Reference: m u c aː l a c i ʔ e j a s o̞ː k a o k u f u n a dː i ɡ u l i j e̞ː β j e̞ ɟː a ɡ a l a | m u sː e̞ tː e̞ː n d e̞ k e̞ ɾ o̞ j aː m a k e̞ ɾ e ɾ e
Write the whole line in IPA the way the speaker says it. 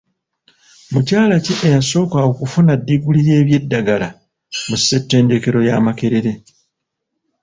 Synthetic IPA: m u c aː l a c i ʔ e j a s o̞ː k a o k u f u n a dː i ɡ u l i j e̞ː β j e̞ dː a ɡ a l a | m u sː e̞ tː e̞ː n d e̞ k e̞ ɾ o̞ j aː m a k e̞ ɾ e ɾ e